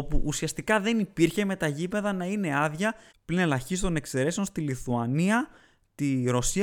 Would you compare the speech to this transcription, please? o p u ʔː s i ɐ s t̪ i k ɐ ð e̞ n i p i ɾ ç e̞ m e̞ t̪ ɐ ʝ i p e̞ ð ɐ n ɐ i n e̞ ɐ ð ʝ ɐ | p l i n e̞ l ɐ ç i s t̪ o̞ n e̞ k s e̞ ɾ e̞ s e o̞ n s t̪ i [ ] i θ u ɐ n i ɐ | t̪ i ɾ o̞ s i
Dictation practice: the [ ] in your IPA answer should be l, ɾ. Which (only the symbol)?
l